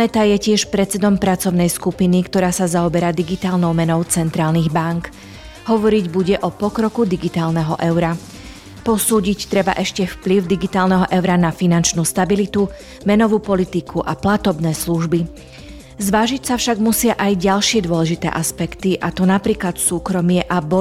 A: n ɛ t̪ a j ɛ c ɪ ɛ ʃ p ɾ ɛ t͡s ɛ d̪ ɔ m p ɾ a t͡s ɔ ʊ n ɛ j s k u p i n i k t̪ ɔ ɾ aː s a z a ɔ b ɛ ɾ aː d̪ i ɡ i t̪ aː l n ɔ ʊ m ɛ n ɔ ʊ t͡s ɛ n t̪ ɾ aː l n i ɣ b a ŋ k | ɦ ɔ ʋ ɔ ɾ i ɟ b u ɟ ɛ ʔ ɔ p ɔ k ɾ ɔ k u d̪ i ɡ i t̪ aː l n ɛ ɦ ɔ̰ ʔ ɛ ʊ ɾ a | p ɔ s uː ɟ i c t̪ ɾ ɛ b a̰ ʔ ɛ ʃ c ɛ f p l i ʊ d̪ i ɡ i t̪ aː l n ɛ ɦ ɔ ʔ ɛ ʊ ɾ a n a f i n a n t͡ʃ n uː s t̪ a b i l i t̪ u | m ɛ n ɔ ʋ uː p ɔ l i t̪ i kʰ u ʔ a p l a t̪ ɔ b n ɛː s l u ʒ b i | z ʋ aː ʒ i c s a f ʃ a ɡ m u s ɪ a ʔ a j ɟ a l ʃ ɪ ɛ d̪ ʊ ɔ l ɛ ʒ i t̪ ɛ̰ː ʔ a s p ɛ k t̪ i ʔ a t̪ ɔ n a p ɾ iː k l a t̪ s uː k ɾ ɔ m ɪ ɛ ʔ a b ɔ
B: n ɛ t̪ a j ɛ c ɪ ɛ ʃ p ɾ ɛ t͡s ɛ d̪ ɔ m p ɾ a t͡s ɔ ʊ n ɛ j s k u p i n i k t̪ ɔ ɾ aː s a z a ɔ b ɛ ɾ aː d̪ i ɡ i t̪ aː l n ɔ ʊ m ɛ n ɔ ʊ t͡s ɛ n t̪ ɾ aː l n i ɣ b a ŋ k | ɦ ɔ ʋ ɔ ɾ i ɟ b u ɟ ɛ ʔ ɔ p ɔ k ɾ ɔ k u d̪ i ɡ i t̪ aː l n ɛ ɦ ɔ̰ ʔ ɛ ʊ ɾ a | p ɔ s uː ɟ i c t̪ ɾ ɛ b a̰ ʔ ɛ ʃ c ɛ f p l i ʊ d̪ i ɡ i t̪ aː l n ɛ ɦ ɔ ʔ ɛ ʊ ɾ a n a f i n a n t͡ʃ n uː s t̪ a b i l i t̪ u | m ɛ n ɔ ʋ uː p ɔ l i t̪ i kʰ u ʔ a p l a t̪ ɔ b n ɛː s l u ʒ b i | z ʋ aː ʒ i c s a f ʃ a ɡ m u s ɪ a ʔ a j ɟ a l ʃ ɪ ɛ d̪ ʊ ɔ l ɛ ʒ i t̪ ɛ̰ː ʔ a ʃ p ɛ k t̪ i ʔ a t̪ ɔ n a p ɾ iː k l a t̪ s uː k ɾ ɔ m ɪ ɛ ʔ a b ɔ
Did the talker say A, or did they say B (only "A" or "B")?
A